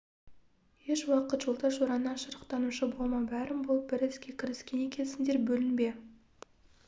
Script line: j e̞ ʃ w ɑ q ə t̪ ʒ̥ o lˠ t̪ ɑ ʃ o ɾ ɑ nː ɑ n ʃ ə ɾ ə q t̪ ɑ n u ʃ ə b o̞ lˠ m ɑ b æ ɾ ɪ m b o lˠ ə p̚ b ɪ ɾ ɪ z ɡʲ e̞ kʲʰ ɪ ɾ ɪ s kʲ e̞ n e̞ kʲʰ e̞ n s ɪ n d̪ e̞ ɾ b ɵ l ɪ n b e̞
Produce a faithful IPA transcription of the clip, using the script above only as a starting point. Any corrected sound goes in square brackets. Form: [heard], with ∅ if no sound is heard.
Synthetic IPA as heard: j e̞ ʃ w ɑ q ə t̪ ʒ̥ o lˠ t̪ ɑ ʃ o ɾ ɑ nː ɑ n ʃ ə ɾ ə q t̪ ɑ n u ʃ ə b o̞ lˠ m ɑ b æ ɾ ɪ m b o lˠ ə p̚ b ɪ ɾ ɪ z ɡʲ e̞ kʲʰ ɪ ɾ ɪ s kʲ e̞ n e̞ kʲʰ e̞ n s ɪ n d̪ e̞ ɾ b ɵ l ɪ n b e̞